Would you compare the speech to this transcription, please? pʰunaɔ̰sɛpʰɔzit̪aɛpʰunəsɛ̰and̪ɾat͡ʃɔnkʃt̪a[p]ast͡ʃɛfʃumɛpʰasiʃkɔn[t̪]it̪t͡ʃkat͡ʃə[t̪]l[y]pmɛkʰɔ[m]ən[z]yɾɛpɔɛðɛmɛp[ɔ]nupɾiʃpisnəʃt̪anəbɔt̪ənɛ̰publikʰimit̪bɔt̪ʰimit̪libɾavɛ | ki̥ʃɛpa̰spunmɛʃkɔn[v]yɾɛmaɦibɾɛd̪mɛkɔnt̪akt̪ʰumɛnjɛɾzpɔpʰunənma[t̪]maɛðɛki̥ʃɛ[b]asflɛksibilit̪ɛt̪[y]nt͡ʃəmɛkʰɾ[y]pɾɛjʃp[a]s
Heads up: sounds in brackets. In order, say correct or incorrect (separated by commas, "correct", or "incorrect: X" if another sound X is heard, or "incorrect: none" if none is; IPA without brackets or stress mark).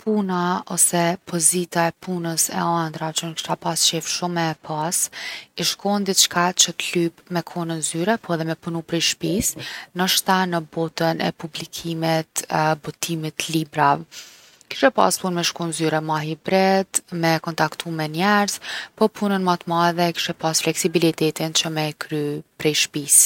correct, incorrect: d̪, correct, correct, incorrect: n, correct, incorrect: u, incorrect: z, correct, incorrect: p, incorrect: i, correct, incorrect: i